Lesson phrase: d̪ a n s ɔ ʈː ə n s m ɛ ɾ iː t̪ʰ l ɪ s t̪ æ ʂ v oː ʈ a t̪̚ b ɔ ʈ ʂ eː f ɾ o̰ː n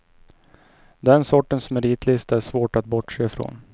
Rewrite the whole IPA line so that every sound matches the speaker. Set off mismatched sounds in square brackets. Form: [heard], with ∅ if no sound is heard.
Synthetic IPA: d̪ [ɛ] n s ɔ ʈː ə n s m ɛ ɾ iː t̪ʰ l ɪ s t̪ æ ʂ v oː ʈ a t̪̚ b ɔ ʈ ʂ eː f ɾ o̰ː n